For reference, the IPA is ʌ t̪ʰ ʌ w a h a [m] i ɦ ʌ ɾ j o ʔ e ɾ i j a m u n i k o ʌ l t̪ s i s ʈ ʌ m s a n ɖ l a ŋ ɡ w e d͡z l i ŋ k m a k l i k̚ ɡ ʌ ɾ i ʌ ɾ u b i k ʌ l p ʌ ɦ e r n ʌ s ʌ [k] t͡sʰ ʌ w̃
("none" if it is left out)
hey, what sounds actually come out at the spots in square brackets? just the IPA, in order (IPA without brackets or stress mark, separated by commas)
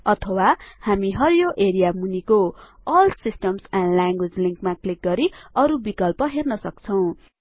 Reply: m, k